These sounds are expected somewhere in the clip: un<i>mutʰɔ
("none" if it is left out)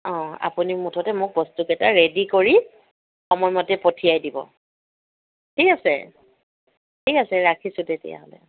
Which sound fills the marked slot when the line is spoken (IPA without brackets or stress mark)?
i